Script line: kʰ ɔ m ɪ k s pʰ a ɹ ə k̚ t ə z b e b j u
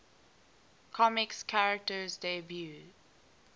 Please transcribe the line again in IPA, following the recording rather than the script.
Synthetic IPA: kʰ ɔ m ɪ k s kʰ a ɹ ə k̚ t ə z d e b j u